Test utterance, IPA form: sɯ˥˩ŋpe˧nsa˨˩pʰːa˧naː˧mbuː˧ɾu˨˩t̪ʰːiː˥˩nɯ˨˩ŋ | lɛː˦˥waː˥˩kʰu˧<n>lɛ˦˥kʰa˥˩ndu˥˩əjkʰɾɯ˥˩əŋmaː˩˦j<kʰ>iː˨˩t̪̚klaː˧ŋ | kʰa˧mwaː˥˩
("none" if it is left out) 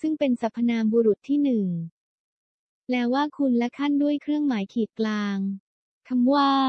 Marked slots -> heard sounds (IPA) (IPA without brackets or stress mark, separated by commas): n, kʰ